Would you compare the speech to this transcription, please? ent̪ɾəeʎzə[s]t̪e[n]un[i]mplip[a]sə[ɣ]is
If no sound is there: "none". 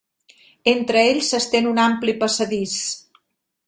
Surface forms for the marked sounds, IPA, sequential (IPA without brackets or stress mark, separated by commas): s, n, a, ə, ð